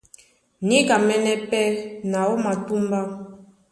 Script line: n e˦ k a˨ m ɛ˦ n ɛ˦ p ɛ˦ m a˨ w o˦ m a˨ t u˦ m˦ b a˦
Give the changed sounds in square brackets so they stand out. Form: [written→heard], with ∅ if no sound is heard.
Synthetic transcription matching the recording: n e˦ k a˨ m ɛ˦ n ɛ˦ p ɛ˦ [m→n] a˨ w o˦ m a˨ t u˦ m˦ b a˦

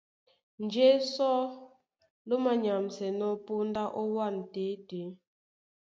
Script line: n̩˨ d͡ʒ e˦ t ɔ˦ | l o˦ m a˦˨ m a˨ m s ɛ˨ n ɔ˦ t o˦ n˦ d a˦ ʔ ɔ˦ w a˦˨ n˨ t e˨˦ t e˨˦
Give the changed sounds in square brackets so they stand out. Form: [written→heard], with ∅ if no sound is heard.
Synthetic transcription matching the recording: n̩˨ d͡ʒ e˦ [t→s] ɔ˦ | l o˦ m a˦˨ [m→ɲ] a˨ m s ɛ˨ n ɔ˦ [t→p] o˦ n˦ d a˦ ʔ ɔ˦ w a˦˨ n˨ t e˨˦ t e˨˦

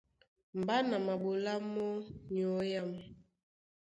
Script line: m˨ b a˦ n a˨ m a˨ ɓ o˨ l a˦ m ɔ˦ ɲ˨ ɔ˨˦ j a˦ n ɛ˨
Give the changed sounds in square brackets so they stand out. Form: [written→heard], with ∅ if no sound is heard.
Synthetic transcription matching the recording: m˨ b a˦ n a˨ m a˨ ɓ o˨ l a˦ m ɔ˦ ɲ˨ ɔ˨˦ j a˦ [n→m] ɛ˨

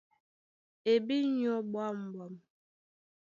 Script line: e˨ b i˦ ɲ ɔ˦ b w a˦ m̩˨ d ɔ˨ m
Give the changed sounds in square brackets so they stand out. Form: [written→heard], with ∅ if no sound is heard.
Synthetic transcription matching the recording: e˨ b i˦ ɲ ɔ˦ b w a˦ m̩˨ [d→b] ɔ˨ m

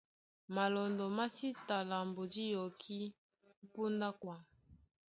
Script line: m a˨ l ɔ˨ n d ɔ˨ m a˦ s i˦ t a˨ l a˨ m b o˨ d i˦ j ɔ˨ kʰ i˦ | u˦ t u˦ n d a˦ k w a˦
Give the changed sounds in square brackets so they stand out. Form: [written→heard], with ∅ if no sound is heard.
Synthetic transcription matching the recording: m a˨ l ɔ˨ n d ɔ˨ m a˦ s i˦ t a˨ l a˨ m b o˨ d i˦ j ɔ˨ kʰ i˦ | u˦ [t→p] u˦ n d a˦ k w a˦

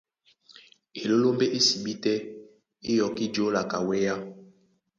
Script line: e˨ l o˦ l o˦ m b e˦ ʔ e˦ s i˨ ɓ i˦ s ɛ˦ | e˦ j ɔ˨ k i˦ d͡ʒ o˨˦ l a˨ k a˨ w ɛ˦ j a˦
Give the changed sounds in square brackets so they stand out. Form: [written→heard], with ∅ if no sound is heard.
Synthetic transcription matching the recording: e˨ l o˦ l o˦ m b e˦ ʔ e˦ s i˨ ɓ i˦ [s→t] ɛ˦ | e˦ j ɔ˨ k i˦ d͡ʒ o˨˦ l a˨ k a˨ w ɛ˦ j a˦

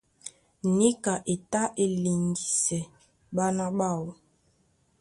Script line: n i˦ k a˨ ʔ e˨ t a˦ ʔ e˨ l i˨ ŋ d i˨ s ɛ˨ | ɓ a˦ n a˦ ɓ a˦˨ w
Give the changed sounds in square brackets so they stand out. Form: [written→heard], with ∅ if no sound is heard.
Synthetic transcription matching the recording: n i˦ k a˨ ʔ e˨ t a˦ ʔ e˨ l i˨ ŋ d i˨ s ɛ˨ | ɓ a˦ n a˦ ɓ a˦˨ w

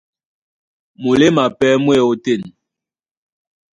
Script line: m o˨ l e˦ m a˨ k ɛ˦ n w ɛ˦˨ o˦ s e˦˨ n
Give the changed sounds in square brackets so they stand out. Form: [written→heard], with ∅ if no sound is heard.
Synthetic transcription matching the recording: m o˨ l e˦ m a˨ [k→p] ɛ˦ [n→m] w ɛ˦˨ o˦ [s→t] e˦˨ n

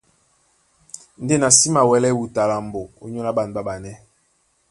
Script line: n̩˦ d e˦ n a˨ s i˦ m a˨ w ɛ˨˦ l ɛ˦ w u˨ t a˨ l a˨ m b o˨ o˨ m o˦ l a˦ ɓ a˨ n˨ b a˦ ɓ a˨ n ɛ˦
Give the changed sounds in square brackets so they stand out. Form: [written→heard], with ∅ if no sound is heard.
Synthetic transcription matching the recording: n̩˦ d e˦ n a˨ s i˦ m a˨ w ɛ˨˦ l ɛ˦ w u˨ t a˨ l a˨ m b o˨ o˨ [m→ɲ] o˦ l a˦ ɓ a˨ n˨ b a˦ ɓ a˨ n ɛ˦

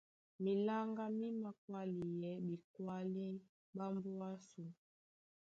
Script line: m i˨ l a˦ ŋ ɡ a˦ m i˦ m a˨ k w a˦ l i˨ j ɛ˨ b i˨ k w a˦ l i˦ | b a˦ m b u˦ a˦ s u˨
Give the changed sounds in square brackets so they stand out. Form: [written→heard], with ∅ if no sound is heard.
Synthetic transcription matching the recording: m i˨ l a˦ ŋ ɡ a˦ m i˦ m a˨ k w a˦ l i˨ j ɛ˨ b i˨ k w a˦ l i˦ | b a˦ m b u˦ a˦ s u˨

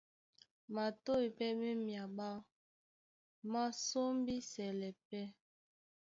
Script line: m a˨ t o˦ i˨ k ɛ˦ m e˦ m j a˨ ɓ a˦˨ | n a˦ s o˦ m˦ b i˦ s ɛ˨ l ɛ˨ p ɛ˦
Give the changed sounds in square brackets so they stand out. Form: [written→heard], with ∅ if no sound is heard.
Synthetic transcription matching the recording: m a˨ t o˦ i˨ [k→p] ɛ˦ m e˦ m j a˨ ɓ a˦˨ | [n→m] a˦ s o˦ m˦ b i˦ s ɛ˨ l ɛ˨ p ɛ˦

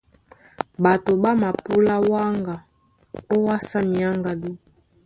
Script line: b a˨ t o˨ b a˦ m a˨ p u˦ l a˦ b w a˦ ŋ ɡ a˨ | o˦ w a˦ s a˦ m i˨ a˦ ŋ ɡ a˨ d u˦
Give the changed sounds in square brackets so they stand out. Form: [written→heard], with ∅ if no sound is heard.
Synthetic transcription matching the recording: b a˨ t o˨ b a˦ m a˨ p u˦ l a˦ [b→∅] w a˦ ŋ ɡ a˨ | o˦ w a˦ s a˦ m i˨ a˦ ŋ ɡ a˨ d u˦

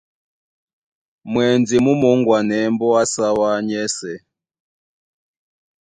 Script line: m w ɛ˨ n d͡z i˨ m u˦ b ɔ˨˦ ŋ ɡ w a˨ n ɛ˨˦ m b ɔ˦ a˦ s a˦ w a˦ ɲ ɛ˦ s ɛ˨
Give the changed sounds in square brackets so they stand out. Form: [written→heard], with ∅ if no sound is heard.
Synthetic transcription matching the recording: m w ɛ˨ n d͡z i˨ m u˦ [b→m] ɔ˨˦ ŋ ɡ w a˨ n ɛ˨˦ m b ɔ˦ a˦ s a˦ w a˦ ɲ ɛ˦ s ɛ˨

